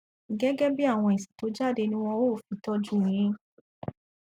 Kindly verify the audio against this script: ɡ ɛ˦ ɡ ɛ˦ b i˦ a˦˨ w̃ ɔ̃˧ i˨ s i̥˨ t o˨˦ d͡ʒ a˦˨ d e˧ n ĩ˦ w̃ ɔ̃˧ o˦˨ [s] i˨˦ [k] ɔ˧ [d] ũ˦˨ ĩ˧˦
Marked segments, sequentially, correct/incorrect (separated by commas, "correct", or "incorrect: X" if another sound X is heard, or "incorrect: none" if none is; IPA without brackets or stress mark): incorrect: f, incorrect: t, incorrect: d͡ʒ